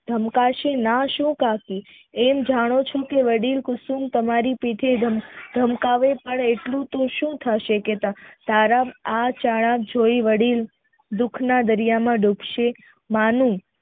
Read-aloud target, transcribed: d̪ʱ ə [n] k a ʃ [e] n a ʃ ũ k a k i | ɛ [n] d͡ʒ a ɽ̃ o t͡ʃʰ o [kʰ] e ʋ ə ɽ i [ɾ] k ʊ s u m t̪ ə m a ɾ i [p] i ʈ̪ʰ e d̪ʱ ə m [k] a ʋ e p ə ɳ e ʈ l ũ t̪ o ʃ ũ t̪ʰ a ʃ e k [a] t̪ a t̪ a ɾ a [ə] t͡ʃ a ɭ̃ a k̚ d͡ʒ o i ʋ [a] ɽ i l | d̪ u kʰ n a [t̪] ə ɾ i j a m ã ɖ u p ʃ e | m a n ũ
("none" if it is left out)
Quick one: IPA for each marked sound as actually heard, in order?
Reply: m, e, m, k, l, p, k, e, a, ə, d̪

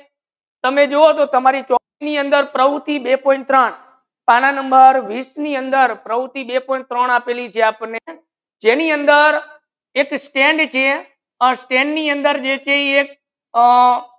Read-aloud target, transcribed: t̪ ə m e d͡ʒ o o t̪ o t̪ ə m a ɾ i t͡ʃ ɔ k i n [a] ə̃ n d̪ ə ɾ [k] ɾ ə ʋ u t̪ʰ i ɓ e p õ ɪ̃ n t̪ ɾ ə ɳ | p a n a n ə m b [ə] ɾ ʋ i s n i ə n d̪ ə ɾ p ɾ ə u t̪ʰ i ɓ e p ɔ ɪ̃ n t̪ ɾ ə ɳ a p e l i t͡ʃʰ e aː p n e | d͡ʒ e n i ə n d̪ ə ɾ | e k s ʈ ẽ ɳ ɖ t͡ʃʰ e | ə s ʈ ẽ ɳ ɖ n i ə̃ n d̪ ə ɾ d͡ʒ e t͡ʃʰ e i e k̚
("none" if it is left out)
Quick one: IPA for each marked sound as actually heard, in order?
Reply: i, p, ə

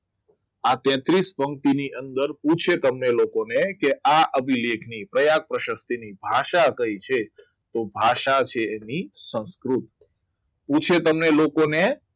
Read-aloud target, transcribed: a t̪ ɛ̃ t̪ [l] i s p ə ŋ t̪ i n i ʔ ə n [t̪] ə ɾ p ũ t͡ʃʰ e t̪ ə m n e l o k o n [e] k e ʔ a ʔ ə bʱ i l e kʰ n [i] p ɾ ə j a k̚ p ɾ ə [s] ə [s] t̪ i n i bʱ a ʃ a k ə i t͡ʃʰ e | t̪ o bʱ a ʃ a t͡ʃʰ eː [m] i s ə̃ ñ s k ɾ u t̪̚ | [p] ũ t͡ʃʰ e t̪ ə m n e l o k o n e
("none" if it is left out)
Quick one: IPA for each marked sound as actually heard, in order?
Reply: ɾ, d̪, e, i, ʃ, s, n, p

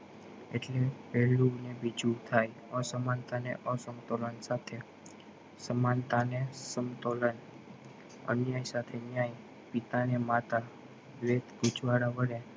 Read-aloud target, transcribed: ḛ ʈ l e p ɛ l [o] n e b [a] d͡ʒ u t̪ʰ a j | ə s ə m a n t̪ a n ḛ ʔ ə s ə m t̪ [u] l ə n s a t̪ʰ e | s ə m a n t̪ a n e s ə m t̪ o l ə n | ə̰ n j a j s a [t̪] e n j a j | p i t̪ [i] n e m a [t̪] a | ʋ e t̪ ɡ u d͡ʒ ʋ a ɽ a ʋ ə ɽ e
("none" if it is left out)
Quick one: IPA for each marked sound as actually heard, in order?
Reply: u, i, o, t̪ʰ, a, t̪

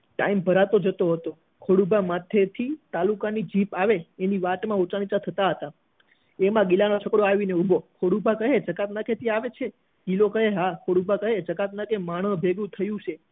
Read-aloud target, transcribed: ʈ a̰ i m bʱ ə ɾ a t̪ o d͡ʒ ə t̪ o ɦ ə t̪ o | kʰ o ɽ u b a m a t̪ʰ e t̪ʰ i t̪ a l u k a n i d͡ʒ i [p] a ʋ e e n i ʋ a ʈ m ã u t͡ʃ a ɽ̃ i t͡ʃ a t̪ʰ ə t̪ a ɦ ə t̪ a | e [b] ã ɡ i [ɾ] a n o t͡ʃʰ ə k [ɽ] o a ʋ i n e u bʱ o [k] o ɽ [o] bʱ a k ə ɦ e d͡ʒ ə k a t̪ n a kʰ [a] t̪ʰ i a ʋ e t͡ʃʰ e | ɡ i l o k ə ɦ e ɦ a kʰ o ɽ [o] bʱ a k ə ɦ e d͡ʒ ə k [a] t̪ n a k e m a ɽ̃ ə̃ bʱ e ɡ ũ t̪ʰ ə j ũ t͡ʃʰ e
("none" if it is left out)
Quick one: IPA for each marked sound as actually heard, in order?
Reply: p, m, l, ɽ, kʰ, u, e, u, a

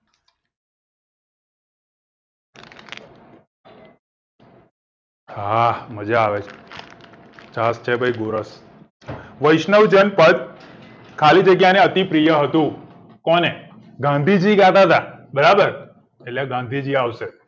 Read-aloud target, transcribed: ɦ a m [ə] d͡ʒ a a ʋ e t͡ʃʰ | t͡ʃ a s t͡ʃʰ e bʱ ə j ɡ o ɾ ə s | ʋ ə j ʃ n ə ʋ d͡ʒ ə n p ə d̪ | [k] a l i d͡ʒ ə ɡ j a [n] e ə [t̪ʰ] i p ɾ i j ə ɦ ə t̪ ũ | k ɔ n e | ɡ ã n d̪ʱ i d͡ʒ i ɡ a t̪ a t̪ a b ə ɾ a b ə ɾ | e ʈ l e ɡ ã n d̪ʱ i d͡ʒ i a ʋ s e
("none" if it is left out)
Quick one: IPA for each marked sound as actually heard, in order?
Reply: ə, kʰ, n, t̪

